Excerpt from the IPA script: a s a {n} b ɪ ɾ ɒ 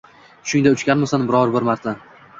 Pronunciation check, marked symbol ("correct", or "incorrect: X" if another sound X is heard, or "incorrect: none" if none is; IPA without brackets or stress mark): correct